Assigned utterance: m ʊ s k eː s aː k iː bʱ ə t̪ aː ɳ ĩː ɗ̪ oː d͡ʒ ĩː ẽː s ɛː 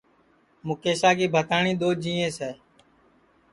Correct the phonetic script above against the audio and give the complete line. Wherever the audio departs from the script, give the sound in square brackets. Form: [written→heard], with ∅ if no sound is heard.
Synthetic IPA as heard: m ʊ [s→∅] k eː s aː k iː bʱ ə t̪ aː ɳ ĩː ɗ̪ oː d͡ʒ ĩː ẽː s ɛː